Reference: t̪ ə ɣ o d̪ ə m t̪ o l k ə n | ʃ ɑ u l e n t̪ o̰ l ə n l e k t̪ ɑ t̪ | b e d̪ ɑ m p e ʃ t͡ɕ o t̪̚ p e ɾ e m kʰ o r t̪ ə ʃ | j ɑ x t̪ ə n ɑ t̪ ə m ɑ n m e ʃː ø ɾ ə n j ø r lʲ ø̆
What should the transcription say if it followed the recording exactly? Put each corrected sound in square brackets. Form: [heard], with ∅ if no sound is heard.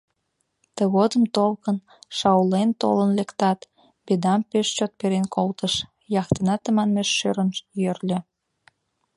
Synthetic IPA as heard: t̪ ə ɣ o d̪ ə m t̪ o l k ə n | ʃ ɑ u l e n t̪ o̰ l ə n l e k t̪ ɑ t̪ | b e d̪ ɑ m p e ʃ t͡ɕ o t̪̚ p e ɾ e [n] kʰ o [l] t̪ ə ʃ | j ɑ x t̪ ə n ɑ t̪ ə m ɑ n m e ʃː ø ɾ ə n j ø r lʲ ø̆

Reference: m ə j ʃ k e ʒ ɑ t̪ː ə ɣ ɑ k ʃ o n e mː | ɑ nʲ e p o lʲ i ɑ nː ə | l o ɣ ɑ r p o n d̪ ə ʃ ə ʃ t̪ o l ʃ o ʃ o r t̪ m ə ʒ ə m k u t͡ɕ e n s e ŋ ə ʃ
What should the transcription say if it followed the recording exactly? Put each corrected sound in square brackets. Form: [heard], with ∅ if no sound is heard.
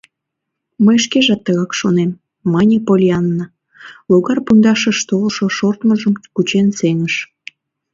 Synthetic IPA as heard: m ə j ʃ k e ʒ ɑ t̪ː ə ɣ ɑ k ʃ o n e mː | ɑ nʲ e p o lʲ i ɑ nː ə | l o ɣ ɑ r p [u] n d̪ [ɑ] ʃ ə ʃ t̪ o l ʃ o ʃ o r t̪ m ə ʒ ə m k u t͡ɕ e n s e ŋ ə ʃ

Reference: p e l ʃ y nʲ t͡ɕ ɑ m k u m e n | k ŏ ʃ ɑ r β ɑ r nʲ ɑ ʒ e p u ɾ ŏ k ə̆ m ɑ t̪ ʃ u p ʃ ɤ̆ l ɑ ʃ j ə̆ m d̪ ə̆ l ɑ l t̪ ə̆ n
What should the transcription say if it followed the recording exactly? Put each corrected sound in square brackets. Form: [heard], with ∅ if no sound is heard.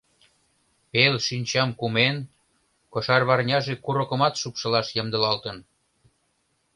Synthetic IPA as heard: p e l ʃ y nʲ t͡ɕ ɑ m k u m e n | k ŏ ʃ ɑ r β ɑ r nʲ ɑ ʒ e [k] u ɾ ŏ k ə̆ m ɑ t̪ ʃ u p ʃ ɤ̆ l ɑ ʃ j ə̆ m d̪ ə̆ l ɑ l t̪ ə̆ n

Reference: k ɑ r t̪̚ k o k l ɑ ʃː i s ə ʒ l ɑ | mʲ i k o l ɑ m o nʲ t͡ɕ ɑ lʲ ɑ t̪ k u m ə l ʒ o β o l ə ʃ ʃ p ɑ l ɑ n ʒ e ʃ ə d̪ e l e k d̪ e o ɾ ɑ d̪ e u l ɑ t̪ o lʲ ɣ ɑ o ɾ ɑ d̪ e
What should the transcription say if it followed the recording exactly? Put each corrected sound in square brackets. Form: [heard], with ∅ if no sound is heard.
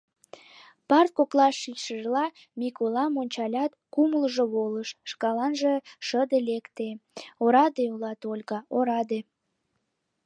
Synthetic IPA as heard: [p] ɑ r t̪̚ k o k l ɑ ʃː i [ʃ] ə ʒ l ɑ | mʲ i k o l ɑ m o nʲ t͡ɕ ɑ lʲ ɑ t̪ k u m ə l ʒ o β o l ə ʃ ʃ [k] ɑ l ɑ n ʒ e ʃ ə d̪ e l e k [t̪] e o ɾ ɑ d̪ e u l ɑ t̪ o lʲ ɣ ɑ o ɾ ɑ d̪ e

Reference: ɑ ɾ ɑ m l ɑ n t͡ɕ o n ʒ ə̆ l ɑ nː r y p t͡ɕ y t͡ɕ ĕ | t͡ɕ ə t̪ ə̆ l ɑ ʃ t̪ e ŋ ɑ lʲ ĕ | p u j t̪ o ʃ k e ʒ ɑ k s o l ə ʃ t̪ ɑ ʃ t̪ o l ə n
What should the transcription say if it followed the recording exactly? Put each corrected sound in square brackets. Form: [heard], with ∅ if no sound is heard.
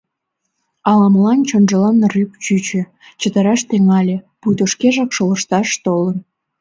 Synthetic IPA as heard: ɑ [l] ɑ m l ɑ n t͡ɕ o n ʒ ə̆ l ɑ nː r y p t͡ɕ y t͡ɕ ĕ | t͡ɕ ə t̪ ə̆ [ɾ] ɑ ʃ t̪ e ŋ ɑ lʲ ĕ | p u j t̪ o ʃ k e ʒ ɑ k [ʃ] o l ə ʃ t̪ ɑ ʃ t̪ o l ə n

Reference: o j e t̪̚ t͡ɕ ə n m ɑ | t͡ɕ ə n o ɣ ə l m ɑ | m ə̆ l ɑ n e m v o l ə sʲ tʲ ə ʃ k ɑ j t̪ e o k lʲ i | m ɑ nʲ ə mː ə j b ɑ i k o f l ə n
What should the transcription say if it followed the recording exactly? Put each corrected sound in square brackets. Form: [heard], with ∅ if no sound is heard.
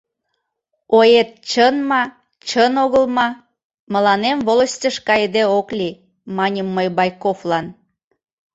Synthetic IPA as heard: o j e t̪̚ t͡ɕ ə n m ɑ | t͡ɕ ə n o ɣ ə l m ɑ | m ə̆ l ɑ n e m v o l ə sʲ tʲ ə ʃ k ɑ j [d̪] e o k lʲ i | m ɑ nʲ ə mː ə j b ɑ [j] k o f l [ɑ] n

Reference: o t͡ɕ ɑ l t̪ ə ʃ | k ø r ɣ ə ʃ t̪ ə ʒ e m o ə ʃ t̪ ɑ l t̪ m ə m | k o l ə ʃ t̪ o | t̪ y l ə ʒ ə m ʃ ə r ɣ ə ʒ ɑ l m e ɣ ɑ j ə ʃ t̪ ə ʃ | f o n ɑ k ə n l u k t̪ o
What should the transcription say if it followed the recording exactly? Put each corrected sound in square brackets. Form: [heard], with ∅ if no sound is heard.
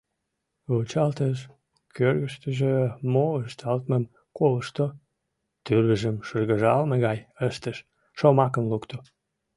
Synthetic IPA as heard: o t͡ɕ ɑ l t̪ ə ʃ | k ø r ɣ ə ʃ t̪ ə ʒ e m o ə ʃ t̪ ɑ l t̪ m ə m | k o l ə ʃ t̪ o | t̪ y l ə ʒ ə m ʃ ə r ɣ ə ʒ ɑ l m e ɣ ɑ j ə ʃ t̪ ə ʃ | [ʃ] o [m] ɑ k ə n l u k t̪ o

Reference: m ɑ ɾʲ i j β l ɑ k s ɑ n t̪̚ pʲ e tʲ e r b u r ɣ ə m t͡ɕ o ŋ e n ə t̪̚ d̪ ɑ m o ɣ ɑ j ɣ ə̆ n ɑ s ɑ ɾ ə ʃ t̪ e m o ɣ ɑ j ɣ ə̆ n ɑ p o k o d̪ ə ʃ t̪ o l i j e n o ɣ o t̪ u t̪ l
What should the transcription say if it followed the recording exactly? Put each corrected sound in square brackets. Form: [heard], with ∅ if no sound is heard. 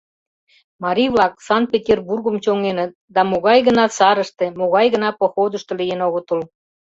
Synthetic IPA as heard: m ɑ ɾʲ i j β l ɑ k s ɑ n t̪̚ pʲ e tʲ e r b u r ɣ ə m t͡ɕ o ŋ e n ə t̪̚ d̪ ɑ m o ɣ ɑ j ɣ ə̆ n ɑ s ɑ ɾ ə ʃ t̪ e m o ɣ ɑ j ɣ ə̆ n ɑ p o [x] o d̪ ə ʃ t̪ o l i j e n o ɣ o t̪ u [∅] l

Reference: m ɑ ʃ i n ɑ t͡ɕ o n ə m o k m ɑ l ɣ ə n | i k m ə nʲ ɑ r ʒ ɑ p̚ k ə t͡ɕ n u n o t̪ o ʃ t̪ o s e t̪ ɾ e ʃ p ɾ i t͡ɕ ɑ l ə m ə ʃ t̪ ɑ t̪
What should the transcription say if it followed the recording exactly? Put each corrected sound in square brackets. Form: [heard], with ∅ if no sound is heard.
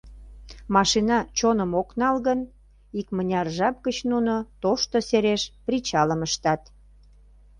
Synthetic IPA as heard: m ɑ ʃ i n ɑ t͡ɕ o n ə m o k [n] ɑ l ɣ ə n | i k m ə nʲ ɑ r ʒ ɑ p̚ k ə t͡ɕ n u n o t̪ o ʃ t̪ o s e [∅] ɾ e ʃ p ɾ i t͡ɕ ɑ l ə m ə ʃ t̪ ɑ t̪

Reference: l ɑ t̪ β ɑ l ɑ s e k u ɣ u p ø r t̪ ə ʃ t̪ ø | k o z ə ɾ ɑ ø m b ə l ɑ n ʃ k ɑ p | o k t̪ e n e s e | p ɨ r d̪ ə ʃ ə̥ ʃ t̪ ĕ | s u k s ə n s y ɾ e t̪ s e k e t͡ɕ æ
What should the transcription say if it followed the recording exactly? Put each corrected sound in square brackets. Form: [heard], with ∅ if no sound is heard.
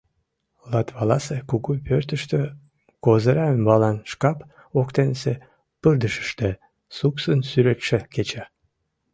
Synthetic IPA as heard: l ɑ t̪ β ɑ l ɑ s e k u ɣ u p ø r t̪ ə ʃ t̪ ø | k o z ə ɾ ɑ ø m b [ɑ] l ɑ n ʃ k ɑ p | o k t̪ e n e s e | p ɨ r d̪ ə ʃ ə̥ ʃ t̪ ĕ | s u k s ə n s y ɾ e t̪ [ʃ] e k e t͡ɕ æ

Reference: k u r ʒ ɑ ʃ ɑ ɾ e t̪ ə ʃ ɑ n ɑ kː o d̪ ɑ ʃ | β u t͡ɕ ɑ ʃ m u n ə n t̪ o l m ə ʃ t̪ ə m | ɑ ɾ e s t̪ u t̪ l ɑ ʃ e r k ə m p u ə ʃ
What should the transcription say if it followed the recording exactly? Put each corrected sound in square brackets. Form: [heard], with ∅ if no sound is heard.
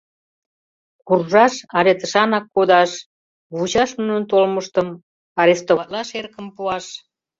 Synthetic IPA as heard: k u r ʒ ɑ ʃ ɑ ɾ e t̪ ə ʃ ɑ n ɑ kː o d̪ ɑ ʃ | β u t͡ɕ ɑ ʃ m u n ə n t̪ o l m ə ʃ t̪ ə m | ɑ ɾ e s t̪ [o] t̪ l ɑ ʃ e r k ə m p u [ɑ] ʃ

